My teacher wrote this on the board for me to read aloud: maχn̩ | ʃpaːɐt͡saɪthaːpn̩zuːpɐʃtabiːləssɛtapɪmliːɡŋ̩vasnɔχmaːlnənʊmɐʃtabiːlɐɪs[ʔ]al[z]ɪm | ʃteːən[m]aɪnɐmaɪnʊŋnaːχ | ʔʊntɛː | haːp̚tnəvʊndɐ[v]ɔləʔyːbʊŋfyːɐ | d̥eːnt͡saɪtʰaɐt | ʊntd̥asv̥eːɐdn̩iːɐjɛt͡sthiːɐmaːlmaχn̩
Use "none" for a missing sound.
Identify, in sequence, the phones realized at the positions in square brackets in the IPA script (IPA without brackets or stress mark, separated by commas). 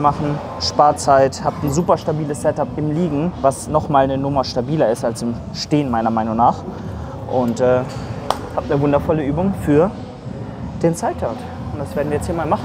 t, s, m, f